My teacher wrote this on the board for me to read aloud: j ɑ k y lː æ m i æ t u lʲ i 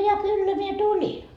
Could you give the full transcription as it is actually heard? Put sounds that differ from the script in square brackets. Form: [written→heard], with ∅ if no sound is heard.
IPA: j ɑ k y lː æ m i [æ→e] t u lʲ i